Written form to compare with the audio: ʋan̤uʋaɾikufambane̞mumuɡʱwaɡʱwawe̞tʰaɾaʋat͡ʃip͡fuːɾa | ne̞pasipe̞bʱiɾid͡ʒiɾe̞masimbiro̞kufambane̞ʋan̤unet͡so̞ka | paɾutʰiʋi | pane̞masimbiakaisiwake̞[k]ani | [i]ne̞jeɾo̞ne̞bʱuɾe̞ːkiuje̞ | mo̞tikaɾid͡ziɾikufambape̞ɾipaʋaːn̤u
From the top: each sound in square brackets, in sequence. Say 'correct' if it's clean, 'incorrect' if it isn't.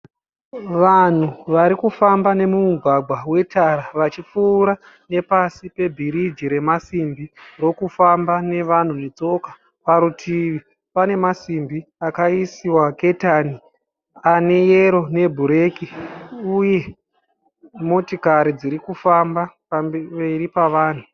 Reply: incorrect, incorrect

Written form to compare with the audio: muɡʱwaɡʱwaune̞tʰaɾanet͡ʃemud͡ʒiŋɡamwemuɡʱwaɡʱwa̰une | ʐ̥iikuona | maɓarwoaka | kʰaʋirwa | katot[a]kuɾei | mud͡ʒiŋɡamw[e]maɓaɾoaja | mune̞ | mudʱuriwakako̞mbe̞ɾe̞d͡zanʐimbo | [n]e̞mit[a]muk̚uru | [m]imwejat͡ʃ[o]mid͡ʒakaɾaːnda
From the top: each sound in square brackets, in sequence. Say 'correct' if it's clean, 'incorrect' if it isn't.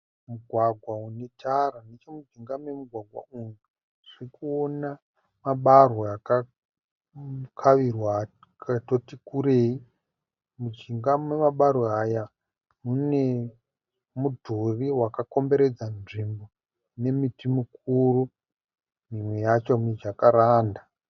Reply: incorrect, correct, correct, incorrect, correct, correct

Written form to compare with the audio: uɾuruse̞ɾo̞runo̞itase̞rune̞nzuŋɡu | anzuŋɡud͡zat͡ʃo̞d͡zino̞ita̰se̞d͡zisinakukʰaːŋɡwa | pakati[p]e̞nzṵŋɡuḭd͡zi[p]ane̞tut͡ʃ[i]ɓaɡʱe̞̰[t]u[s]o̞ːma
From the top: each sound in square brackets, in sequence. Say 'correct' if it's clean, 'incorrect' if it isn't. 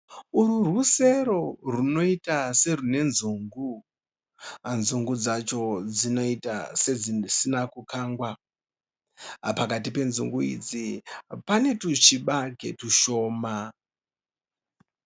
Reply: correct, correct, correct, correct, incorrect

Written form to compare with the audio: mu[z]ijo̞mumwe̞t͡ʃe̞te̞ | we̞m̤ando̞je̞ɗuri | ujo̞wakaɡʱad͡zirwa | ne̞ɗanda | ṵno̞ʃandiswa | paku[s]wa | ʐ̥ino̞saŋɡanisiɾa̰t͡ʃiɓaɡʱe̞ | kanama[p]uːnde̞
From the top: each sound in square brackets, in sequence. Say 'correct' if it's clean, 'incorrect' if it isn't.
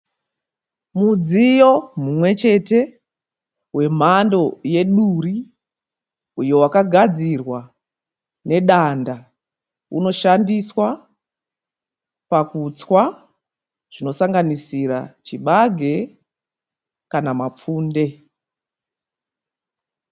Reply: incorrect, incorrect, incorrect

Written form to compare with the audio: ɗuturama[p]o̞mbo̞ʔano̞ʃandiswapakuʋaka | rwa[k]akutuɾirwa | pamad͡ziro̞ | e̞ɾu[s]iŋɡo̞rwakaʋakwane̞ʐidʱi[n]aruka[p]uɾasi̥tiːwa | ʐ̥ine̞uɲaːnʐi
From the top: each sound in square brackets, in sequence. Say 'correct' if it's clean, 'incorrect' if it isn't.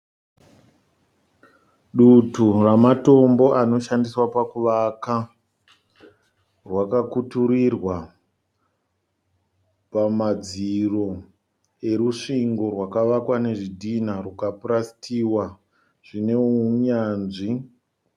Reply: incorrect, correct, incorrect, correct, correct

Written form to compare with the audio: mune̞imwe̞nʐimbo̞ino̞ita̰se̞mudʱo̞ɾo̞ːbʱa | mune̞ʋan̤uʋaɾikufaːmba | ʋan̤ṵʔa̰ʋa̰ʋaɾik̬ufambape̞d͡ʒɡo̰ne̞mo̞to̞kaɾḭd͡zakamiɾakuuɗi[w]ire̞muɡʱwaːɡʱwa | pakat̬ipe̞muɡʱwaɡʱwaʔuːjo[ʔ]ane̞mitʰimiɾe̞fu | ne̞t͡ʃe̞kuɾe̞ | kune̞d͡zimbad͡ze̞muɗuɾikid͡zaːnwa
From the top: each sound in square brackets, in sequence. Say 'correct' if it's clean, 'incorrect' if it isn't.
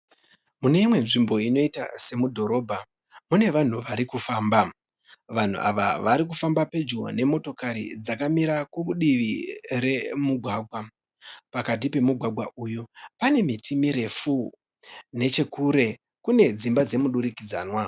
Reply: incorrect, incorrect

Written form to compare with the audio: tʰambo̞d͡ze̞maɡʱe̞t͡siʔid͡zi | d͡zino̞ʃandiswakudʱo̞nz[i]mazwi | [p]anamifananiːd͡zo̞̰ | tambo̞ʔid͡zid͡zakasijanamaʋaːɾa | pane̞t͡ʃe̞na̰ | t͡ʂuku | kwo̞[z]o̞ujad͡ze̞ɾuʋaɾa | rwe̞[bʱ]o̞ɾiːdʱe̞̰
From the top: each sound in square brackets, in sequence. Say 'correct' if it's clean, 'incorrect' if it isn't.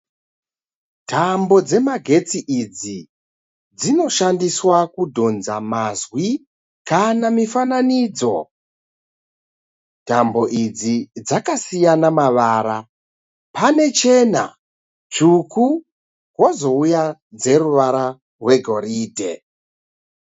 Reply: incorrect, incorrect, correct, incorrect

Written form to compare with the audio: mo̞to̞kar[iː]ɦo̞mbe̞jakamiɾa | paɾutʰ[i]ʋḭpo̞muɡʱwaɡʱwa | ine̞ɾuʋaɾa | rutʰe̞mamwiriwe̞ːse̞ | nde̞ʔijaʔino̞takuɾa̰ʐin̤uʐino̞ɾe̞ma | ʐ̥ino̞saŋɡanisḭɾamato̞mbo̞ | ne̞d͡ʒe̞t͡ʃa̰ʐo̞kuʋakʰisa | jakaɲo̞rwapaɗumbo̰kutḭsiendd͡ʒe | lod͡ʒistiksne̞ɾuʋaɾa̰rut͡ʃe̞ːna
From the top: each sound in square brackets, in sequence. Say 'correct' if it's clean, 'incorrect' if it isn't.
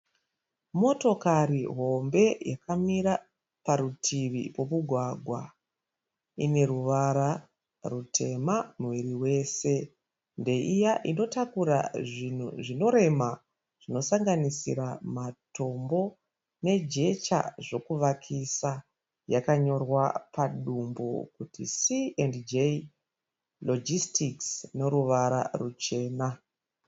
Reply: incorrect, correct

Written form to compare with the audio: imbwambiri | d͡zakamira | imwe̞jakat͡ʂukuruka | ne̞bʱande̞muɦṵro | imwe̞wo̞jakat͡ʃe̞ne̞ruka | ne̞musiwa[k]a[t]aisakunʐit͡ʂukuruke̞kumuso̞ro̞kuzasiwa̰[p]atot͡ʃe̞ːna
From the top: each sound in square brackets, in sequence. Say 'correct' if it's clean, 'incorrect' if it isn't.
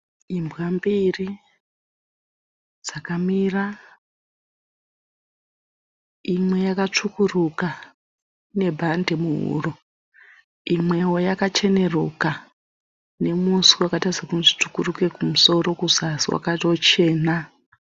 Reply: correct, correct, incorrect

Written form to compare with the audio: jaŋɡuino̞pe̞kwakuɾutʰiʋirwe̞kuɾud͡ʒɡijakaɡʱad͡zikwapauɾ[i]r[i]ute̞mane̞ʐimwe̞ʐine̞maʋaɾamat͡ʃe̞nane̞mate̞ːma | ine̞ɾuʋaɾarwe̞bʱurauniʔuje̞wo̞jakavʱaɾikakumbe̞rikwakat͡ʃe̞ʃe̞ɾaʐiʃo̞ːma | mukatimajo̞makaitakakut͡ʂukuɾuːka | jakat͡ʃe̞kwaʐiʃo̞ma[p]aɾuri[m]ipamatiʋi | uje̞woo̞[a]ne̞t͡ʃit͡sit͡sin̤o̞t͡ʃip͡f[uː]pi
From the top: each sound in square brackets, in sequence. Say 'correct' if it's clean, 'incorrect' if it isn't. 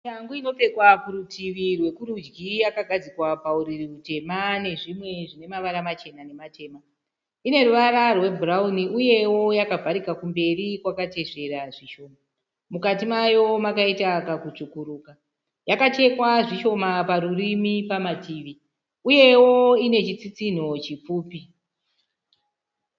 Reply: correct, correct, correct, correct, incorrect, correct

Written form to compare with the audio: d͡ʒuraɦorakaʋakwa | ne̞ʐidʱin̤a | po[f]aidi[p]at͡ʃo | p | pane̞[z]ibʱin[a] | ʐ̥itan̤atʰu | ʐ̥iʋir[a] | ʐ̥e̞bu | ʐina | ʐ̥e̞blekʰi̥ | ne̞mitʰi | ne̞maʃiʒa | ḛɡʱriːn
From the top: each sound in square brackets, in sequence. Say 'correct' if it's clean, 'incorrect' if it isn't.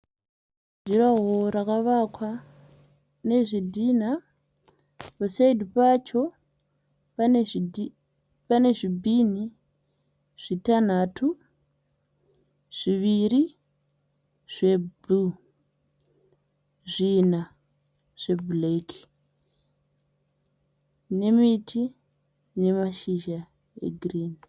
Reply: incorrect, correct, incorrect, incorrect, incorrect

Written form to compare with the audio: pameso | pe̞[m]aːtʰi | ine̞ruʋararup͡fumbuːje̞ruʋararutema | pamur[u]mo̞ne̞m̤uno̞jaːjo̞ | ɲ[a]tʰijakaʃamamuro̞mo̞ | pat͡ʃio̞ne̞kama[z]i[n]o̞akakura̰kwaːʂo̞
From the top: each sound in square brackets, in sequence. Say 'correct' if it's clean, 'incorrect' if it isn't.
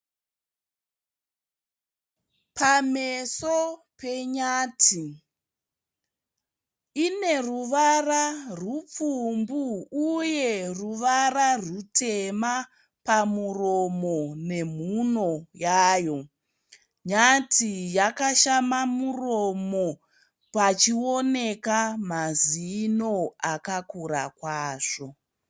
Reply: incorrect, incorrect, correct, correct, correct

